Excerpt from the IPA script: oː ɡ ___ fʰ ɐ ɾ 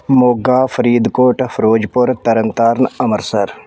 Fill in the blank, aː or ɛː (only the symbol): aː